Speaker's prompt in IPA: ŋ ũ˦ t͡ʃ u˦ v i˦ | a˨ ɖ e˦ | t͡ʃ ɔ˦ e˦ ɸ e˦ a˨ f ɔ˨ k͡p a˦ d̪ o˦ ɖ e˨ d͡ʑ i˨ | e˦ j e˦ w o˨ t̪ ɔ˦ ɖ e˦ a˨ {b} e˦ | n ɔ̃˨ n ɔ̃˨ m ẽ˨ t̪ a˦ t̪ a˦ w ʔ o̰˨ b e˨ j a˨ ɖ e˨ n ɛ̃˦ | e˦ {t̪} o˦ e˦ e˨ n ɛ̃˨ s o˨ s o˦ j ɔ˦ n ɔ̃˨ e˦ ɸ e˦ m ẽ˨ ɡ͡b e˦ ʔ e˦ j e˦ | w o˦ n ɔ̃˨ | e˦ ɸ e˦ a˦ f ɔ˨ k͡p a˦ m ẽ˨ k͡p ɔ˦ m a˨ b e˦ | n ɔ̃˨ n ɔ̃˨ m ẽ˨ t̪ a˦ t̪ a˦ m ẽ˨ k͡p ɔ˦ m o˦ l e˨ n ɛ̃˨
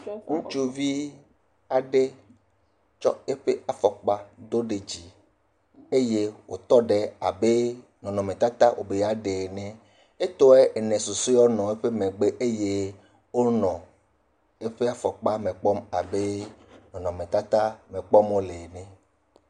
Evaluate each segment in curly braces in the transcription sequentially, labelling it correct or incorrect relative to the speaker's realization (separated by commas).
correct, correct